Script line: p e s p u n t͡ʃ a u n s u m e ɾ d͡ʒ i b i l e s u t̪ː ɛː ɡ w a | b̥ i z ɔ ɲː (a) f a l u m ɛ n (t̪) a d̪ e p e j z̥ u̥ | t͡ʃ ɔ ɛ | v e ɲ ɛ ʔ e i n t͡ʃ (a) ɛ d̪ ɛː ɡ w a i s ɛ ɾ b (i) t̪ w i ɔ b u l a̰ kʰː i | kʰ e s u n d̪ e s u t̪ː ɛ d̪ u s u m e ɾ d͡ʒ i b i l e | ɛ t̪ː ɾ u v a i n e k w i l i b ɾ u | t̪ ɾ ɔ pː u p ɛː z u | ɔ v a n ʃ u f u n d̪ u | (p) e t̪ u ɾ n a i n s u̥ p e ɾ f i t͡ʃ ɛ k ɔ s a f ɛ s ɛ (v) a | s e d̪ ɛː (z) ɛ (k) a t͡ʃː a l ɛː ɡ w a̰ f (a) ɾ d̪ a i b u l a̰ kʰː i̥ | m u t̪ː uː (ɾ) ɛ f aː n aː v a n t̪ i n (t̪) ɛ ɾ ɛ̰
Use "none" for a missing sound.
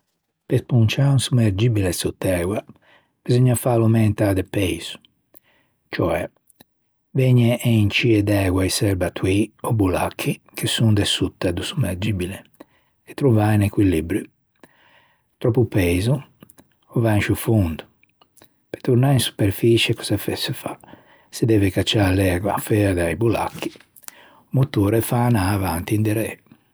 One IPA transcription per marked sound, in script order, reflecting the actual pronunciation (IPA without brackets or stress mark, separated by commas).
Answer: a, t̪, i, a, p, f, v, k, ɛ, ɾ, d̪